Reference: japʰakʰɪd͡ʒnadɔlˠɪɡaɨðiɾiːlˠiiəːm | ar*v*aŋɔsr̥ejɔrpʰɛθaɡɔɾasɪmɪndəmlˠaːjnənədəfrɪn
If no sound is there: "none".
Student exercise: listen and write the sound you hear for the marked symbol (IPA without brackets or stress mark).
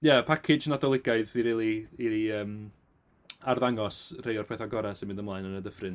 ð